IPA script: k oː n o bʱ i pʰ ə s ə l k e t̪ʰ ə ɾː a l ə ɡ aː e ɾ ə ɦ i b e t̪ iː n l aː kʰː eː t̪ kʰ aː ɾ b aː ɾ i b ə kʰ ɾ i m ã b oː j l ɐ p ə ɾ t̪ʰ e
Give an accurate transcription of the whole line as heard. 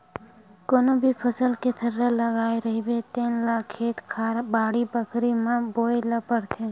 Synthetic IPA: k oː n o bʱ i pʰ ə s ə l k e t̪ʰ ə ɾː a l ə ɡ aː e ɾ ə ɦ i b e t̪ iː n l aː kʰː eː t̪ kʰ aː ɾ b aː ɽ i b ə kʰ ɾ i m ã b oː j l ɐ p ə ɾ t̪ʰ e

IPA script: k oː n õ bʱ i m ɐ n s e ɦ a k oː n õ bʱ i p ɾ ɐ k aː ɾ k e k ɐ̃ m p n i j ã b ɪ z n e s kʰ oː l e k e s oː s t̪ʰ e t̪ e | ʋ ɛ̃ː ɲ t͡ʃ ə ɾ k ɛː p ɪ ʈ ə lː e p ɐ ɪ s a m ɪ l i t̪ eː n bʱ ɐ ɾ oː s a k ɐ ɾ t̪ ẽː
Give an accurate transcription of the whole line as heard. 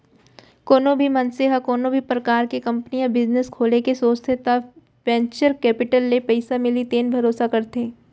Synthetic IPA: k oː n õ bʱ i m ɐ n s e ɦ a k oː n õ bʱ i p ɾ ɐ k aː ɾ k e k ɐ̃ m p n i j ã b ɪ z n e s kʰ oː l e k e s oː s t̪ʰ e t̪ a | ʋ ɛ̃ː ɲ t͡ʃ ə ɾ k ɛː p ɪ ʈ ə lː e p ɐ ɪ s a m ɪ l i t̪ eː n bʱ ɐ ɾ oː s a k ɐ ɾ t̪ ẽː

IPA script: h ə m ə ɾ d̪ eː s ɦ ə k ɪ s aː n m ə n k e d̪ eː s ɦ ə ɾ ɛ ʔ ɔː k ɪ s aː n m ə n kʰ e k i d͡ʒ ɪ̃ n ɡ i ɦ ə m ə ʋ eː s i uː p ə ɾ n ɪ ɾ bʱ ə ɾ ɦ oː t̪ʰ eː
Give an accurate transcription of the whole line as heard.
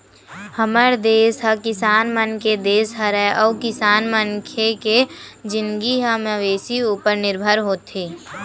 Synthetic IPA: h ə m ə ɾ d̪ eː s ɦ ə k ɪ s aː n m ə n k e d̪ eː s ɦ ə ɾ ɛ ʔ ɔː k ɪ s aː n m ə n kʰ e k e d͡ʒ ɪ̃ n ɡ i ɦ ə m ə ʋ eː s i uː p ə ɾ n ɪ ɾ bʱ ə ɾ ɦ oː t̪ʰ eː

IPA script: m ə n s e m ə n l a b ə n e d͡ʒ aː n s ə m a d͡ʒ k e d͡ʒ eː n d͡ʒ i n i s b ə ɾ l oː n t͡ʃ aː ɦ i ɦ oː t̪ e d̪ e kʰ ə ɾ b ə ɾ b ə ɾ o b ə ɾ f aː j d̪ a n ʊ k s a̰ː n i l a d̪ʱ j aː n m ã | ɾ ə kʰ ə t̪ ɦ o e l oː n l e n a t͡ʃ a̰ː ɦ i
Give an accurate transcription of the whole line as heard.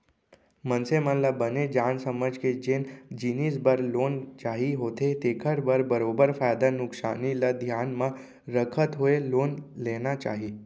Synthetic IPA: m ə n s e m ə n l a b ə n e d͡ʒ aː n s ə m ə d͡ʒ k e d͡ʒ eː n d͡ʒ i n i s b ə ɾ l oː n t͡ʃ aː ɦ i ɦ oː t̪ e t̪ e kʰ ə ɾ b ə ɾ b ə ɾ o b ə ɾ f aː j d̪ a n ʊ k s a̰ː n i l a d̪ʱ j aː n m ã | ɾ ə kʰ ə t̪ ɦ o e l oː n l e n a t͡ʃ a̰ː ɦ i

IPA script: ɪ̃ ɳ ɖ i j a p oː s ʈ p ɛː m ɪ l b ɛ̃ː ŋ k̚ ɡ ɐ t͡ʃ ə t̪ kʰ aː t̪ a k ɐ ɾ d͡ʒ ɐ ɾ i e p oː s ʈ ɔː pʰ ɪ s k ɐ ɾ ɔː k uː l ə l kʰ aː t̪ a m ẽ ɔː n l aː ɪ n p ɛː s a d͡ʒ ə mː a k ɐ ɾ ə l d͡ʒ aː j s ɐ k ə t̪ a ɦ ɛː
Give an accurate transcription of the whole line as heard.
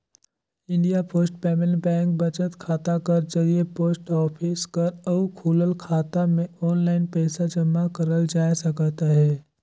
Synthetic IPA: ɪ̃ ɳ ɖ i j a p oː s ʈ p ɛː m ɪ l b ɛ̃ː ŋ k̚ b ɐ t͡ʃ ə t̪ kʰ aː t̪ a k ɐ ɾ d͡ʒ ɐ ɾ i e p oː s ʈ ɔː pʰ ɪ s k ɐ ɾ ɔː kʰ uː l ə l kʰ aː t̪ a m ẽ ɔː n l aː ɪ n p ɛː s a d͡ʒ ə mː a k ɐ ɾ ə l d͡ʒ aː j s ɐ k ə t̪ a ɦ ɛː

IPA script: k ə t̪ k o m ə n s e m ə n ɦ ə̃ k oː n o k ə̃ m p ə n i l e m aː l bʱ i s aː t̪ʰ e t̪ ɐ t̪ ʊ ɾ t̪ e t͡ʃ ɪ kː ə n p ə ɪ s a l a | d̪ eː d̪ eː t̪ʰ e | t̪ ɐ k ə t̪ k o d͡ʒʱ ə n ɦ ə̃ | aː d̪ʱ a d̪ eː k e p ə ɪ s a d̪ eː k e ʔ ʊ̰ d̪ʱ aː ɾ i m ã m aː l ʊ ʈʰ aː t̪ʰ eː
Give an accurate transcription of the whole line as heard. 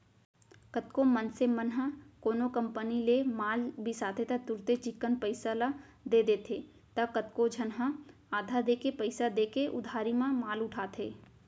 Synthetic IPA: k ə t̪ k o m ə n s e m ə n ɦ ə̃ k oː n o k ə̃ m p ə n i l e m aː l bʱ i s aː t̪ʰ e t̪ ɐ t̪ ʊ ɾ t̪ e t͡ʃ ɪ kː ə n p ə ɪ s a l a | d̪ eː d̪ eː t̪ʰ e | t̪ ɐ k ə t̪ k o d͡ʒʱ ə n ɦ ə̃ | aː d̪ʱ a d̪ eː k e p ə ɪ s a d̪ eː k e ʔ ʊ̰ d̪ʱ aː ɾ i m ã m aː l ʊ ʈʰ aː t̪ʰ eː

